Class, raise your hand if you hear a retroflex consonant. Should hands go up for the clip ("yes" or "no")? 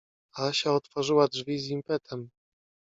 yes